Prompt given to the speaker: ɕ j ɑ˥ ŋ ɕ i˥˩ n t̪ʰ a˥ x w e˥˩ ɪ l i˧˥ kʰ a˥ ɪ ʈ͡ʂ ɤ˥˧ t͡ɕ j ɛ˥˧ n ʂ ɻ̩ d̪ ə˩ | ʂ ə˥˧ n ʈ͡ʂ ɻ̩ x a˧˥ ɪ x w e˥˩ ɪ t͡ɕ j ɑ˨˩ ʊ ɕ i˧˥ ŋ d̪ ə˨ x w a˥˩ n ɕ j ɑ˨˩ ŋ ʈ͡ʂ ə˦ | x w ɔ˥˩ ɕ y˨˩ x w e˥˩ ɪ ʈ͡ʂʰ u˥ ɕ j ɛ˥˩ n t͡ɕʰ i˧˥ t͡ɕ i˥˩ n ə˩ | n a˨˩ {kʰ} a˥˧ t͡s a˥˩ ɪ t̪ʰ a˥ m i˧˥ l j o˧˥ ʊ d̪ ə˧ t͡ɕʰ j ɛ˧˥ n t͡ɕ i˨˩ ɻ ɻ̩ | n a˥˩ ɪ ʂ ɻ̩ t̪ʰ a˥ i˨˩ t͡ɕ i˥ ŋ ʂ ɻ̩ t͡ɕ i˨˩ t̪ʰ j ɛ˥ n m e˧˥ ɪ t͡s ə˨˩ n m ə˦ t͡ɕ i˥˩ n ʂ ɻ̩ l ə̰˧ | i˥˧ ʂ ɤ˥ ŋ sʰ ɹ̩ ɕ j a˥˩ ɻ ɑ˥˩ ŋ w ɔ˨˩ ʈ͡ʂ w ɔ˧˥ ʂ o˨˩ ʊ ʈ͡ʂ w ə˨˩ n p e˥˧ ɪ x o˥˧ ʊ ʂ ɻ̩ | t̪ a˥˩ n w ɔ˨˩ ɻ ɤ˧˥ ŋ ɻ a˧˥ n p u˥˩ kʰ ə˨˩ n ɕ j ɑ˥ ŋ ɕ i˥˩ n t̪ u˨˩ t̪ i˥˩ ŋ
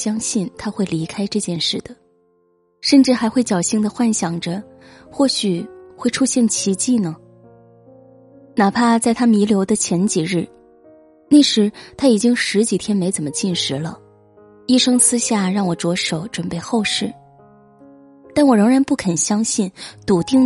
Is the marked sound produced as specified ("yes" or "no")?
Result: no